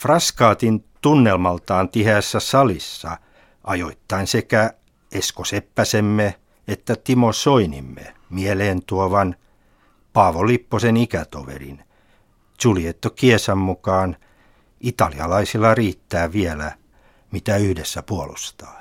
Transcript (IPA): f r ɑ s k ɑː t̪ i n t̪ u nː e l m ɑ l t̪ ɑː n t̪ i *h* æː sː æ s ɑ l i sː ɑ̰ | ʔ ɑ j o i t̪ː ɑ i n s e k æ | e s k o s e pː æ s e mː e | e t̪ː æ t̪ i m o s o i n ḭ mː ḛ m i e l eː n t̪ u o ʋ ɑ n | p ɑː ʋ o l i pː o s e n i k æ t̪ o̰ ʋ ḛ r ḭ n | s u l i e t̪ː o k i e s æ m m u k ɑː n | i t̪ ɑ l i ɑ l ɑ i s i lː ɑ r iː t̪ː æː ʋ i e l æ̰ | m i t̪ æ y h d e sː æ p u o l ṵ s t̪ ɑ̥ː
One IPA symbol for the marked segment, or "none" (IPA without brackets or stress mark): h